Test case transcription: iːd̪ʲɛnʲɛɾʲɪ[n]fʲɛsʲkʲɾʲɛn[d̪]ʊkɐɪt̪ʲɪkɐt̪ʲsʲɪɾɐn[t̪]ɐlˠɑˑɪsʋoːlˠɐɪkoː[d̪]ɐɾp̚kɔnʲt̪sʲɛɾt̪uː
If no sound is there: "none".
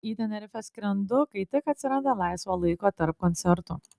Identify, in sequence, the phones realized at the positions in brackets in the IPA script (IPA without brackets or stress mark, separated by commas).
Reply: none, d̪, d̪, t̪